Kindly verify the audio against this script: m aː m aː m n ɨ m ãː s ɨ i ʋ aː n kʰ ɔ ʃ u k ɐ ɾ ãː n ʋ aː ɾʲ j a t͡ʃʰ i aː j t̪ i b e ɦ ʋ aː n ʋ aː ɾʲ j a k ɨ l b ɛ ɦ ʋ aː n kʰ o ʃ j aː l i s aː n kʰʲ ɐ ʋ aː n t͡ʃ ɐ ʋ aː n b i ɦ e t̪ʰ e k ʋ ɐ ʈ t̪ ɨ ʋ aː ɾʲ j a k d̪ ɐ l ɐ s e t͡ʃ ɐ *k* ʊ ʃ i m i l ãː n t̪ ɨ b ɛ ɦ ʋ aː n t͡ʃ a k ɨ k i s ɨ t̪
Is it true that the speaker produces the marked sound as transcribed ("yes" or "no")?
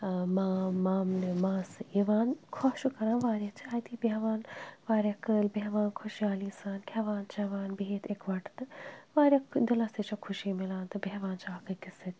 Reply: no